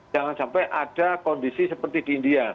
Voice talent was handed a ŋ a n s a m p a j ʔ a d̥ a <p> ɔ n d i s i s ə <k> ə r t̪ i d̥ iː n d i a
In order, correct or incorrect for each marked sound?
incorrect: k, incorrect: p

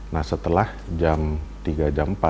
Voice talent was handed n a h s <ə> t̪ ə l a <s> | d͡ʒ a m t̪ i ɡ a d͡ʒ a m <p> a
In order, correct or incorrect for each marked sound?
correct, incorrect: h, correct

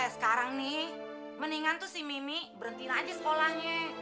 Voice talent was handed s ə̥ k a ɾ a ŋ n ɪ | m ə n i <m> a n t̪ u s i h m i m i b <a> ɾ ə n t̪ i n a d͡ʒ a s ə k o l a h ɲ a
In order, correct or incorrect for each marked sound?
incorrect: ŋ, incorrect: ə

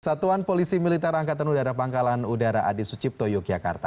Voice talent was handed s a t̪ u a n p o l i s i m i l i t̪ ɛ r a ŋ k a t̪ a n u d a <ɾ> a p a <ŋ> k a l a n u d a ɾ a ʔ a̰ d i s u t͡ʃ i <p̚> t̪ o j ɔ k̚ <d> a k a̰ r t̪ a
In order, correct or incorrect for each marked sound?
correct, correct, correct, incorrect: d͡ʒ

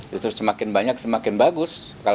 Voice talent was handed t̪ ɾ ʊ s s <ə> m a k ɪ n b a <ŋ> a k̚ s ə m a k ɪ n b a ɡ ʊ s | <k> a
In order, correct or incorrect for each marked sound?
correct, incorrect: ɲ, correct

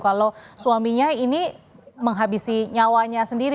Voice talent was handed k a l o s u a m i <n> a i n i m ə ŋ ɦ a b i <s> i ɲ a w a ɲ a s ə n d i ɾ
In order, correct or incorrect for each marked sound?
incorrect: ɲ, correct

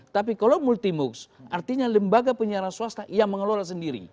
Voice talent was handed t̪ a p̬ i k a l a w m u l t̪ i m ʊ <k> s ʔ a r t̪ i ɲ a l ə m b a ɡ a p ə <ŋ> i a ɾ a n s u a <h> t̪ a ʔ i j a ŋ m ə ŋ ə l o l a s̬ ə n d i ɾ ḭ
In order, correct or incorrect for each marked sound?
correct, incorrect: ɲ, incorrect: s

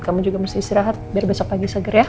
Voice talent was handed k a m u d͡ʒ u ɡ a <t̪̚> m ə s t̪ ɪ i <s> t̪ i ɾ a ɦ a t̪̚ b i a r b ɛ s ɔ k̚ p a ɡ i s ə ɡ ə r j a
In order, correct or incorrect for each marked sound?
incorrect: none, correct

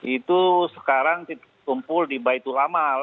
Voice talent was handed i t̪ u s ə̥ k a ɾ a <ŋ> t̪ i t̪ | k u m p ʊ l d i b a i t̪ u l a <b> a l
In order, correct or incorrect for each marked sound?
correct, incorrect: m

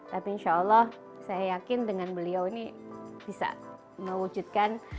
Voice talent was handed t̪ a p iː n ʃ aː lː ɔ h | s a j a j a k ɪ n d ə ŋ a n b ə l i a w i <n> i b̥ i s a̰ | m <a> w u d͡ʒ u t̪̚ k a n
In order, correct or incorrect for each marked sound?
correct, incorrect: ə

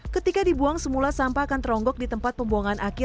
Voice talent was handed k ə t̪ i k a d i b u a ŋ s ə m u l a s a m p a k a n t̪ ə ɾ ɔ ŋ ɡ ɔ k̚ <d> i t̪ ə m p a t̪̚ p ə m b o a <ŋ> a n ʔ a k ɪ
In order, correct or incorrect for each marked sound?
correct, correct

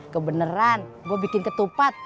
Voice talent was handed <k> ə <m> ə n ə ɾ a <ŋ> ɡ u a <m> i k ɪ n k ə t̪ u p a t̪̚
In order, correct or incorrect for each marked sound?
correct, incorrect: b, incorrect: n, incorrect: b

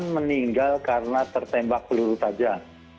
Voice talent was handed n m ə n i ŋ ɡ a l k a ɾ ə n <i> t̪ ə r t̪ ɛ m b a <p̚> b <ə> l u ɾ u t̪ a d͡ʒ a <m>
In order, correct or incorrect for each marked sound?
incorrect: a, incorrect: k̚, correct, incorrect: none

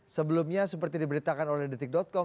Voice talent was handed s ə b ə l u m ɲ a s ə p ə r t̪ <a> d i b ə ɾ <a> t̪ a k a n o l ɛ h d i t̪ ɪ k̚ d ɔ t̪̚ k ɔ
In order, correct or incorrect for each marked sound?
incorrect: i, incorrect: i

